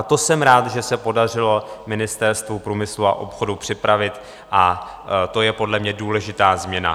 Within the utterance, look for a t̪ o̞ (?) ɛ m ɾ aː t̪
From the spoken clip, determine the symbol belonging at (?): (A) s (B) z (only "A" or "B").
A